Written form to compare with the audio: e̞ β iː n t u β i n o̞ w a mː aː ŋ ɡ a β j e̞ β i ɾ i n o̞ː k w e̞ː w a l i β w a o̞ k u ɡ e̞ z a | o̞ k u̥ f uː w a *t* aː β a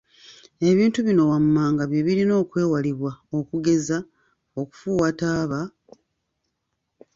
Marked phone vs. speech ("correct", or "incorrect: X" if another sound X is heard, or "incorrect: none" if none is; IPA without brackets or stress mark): correct